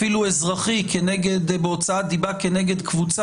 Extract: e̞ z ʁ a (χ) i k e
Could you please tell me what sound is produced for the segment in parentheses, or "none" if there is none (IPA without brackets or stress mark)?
χ